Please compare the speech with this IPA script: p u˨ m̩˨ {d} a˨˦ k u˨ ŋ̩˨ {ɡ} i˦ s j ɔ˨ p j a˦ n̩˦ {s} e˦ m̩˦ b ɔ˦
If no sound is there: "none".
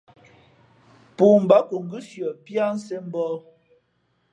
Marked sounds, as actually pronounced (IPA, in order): b, ɡ, s

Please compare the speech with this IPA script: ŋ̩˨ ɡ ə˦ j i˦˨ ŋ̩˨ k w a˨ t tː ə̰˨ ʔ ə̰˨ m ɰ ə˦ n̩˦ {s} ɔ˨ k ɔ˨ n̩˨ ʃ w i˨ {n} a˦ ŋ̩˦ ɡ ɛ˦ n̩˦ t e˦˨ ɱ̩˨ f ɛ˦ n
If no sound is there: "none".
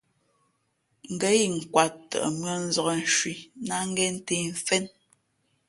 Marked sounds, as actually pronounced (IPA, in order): z, n

